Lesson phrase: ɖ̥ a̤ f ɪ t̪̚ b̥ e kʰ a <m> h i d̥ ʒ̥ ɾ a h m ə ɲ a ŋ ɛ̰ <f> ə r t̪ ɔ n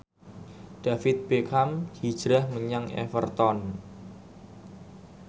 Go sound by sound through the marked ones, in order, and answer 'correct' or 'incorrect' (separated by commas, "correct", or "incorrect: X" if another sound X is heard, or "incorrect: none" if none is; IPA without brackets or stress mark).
correct, correct